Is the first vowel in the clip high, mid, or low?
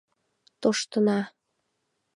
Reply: mid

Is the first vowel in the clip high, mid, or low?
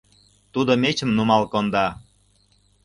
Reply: high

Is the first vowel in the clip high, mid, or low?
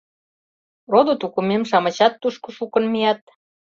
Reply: mid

